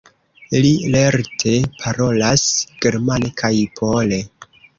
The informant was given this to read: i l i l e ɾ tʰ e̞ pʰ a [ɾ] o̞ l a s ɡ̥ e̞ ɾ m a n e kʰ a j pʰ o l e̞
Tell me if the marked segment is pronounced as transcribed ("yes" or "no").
yes